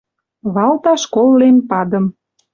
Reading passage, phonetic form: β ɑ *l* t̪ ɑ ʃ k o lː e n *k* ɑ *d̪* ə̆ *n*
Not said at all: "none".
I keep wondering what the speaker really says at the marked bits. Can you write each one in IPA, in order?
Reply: l, p, d̪, m

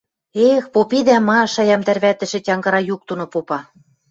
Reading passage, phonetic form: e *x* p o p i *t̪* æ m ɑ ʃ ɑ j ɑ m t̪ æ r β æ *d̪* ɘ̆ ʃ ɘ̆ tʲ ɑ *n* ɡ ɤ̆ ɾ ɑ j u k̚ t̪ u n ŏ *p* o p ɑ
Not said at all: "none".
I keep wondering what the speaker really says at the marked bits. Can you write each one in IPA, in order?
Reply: x, d̪, t̪, ŋ, p

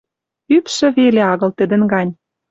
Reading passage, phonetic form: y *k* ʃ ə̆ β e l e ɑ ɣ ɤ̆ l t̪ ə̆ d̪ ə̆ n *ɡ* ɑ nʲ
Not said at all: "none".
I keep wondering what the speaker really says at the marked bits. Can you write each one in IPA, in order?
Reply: p, ɡ

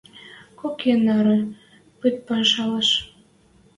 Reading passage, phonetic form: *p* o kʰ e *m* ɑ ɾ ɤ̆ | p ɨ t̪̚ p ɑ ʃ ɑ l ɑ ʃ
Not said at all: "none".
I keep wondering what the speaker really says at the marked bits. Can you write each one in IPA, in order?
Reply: k, n

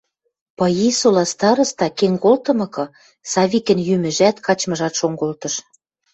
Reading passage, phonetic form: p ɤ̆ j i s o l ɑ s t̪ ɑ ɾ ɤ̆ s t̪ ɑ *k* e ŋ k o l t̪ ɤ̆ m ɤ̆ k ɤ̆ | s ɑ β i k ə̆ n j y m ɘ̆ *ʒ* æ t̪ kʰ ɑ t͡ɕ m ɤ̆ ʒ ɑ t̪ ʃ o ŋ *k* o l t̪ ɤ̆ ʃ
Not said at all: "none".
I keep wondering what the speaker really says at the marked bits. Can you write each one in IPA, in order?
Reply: k, ʒ, ɡ

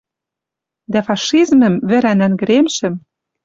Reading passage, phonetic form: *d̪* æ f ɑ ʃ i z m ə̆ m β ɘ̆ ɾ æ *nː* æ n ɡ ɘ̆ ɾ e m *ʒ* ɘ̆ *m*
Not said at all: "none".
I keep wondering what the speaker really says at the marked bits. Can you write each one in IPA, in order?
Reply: d̪, n, ʃ, m

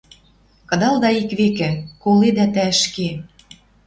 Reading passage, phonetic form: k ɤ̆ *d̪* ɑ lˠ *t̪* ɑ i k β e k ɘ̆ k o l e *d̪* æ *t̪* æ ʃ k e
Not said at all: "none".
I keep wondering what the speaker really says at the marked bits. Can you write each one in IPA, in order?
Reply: d̪, d̪, d̪, t̪

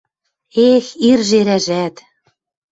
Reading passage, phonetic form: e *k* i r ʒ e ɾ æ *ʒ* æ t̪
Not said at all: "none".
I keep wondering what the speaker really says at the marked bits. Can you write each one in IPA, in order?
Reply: x, ʒ

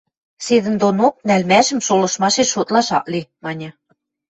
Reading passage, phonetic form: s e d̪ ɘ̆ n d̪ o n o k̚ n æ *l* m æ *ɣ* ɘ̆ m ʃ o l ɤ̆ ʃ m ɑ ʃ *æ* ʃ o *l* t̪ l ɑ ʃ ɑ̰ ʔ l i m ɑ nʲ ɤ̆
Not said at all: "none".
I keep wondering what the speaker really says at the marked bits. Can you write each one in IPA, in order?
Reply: l, ʒ, e, none

